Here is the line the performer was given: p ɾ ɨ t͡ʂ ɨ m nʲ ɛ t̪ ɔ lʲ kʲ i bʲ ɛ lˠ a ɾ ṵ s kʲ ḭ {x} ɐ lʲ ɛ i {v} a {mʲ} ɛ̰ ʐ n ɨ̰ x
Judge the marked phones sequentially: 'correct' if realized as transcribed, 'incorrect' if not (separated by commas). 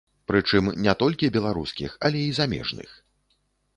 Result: correct, incorrect, correct